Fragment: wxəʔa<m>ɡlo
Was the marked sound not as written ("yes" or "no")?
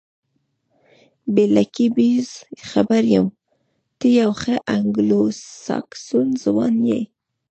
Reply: yes